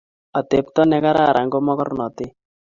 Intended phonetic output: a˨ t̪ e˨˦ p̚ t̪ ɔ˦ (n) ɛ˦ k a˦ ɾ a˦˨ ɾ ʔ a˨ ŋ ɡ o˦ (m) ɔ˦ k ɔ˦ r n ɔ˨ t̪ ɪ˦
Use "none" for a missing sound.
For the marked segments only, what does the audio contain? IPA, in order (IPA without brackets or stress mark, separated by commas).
n, m